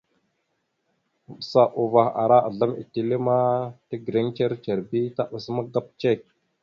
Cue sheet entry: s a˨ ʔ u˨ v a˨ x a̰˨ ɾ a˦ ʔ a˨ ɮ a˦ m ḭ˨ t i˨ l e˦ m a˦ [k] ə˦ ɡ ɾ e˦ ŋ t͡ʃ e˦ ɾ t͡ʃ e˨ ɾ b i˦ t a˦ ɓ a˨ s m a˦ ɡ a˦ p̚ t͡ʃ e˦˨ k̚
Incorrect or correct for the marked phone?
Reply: incorrect: t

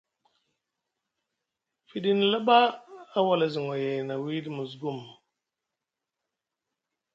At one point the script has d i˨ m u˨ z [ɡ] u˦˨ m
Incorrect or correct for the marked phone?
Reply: correct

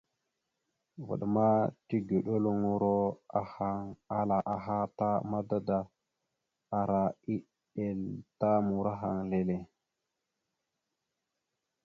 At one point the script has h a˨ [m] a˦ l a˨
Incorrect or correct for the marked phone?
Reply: incorrect: ŋ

